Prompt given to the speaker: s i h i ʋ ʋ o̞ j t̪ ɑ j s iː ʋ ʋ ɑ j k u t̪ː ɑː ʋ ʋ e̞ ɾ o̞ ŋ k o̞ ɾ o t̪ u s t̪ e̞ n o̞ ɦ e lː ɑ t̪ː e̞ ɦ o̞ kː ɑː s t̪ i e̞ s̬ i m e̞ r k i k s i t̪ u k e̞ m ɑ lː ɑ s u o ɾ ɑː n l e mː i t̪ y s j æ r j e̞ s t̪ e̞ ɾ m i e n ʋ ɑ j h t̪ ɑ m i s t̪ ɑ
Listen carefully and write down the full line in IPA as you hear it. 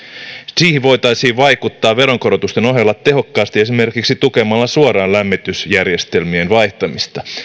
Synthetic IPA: s iː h i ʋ ʋ o̞ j t̪ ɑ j s iː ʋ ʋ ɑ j k u t̪ː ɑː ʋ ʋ e̞ ɾ o̞ ŋ k o̞ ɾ o t̪ u s t̪ e̞ n o̞ ɦ e lː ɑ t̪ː e̞ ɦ o̞ kː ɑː s t̪ i e̞ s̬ i m e̞ r k i k s i t̪ u k e̞ m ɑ lː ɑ s u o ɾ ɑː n l æ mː i t̪ y s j æ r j e̞ s t̪ e̞ l m i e n ʋ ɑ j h t̪ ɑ m i s t̪ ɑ